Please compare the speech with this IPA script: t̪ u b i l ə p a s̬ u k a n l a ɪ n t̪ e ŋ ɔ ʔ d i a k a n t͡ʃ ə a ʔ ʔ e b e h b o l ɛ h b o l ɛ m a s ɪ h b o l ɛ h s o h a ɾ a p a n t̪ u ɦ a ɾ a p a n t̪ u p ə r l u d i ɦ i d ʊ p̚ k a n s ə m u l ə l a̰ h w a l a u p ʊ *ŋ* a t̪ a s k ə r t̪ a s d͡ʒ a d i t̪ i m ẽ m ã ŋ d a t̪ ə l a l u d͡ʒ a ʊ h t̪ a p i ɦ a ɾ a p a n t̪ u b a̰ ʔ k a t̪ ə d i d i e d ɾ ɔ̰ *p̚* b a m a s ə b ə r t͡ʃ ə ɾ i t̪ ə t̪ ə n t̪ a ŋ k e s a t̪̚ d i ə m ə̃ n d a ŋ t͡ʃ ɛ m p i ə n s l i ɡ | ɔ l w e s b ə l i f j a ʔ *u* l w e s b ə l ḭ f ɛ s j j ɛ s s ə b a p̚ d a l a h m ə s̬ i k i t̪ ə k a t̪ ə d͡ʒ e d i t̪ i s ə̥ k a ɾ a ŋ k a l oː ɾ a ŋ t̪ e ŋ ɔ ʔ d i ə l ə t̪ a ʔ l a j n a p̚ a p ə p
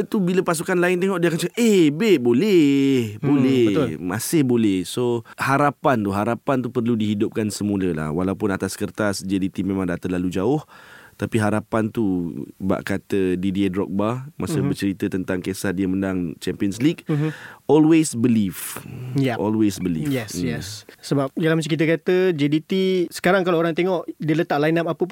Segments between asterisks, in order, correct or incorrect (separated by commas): incorrect, incorrect, incorrect